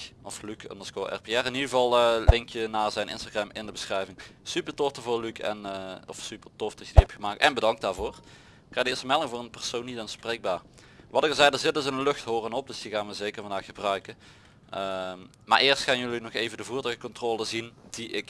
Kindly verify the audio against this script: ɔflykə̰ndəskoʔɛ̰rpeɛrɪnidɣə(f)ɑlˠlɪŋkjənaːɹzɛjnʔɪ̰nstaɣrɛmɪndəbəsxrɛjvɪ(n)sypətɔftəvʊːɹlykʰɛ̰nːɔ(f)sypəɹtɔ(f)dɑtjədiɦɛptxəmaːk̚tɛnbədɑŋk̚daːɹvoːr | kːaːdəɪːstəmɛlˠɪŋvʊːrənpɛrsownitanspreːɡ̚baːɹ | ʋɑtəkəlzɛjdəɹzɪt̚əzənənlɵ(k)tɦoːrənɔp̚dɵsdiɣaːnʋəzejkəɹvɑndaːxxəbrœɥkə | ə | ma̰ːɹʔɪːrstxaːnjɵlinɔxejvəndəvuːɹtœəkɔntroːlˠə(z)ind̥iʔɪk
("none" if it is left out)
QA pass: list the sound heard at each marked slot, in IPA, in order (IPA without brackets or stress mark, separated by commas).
v, ŋ, f, f, x, z